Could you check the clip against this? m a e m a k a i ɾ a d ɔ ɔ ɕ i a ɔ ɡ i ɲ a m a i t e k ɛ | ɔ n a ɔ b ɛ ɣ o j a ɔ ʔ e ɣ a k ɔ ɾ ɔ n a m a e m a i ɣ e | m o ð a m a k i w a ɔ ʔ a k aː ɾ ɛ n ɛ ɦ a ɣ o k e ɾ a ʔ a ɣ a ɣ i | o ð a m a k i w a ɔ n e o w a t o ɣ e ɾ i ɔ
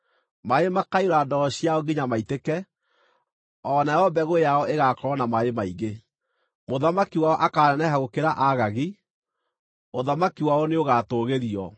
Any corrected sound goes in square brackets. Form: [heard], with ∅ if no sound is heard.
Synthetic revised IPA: m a e m a k a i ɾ a d ɔ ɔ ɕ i a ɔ ɡ i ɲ a m a i t e k ɛ | ɔ n a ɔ b ɛ ɣ o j a ɔ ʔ e ɣ a k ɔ ɾ ɔ n a m a e m a i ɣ e | m o ð a m a k i w a ɔ ʔ a k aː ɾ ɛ n ɛ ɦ a ɣ o k e ɾ a ʔ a ɣ a ɣ i | o ð a m a k i w a ɔ n e o [ɣ] a t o ɣ e ɾ i ɔ